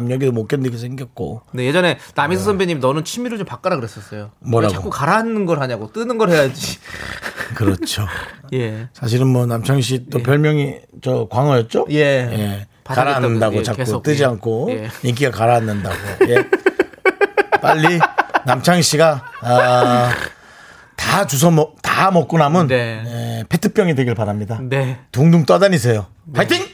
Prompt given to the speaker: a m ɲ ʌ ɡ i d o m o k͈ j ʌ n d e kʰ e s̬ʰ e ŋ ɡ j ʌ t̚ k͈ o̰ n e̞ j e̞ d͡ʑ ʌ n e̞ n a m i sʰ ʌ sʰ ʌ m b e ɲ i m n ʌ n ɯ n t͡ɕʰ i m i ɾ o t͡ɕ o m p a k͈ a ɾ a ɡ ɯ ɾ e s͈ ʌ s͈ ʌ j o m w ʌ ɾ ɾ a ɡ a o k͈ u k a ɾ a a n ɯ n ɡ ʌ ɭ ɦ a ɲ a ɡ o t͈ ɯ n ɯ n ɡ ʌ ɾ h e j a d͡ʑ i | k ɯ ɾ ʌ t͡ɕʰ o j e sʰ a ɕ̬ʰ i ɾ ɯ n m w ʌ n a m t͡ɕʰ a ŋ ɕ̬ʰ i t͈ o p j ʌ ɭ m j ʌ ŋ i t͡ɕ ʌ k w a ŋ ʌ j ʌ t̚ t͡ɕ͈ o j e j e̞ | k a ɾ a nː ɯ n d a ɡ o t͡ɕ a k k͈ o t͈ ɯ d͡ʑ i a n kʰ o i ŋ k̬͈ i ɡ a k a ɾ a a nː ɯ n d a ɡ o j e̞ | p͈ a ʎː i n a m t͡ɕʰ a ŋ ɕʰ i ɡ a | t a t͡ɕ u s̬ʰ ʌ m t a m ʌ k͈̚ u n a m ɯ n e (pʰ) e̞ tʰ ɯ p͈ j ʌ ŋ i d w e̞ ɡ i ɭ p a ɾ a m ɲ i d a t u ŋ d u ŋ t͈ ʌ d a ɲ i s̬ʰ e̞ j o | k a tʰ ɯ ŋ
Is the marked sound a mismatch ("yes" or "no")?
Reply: no